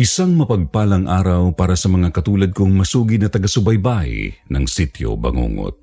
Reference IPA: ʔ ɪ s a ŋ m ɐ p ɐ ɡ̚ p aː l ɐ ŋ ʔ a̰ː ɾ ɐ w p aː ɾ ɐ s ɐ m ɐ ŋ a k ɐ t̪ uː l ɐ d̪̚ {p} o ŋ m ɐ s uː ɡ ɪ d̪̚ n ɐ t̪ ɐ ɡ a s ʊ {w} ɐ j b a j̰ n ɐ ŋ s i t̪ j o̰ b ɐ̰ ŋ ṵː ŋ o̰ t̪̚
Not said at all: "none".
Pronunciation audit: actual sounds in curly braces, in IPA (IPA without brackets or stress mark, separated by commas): k, b